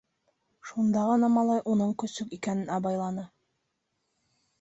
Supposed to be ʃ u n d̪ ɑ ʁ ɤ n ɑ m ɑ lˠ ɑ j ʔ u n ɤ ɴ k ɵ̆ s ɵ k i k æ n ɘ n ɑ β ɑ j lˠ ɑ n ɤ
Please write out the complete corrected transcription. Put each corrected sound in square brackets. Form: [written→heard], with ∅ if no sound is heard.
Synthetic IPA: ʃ u n d̪ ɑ ʁ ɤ n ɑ m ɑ lˠ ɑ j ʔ u n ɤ ɴ k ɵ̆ s ɵ k i k æ n ɘ n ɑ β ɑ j lˠ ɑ n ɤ